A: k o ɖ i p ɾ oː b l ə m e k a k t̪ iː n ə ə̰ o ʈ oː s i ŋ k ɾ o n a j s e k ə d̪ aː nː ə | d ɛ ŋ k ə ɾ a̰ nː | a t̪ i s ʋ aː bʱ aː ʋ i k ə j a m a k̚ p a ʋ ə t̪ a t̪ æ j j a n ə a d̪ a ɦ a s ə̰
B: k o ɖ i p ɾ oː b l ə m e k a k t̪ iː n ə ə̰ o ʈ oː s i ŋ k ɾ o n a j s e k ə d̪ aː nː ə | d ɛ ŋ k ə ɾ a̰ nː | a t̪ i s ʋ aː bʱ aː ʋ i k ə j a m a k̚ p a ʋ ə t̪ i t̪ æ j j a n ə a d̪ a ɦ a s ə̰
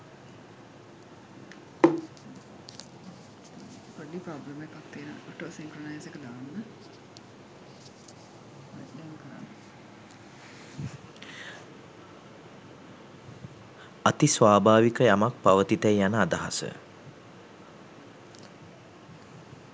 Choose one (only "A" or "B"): B